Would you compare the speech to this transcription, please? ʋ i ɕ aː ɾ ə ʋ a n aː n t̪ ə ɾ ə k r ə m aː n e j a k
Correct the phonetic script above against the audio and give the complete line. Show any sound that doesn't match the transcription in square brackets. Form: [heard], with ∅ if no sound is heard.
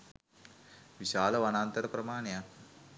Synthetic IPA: ʋ i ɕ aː [l] ə ʋ a n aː n t̪ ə ɾ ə [p] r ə m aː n e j a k